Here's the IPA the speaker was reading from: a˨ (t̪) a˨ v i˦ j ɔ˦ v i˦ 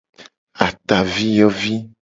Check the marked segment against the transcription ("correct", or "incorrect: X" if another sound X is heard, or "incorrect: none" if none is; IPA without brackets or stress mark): correct